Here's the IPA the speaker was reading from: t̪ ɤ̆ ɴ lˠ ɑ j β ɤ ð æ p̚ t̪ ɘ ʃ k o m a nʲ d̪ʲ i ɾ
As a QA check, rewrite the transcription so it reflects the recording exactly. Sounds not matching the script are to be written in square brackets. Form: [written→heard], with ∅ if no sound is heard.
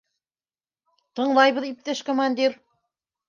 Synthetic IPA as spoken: t̪ ɤ̆ ɴ lˠ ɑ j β ɤ ð [æ→i] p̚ t̪ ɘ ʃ k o m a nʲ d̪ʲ i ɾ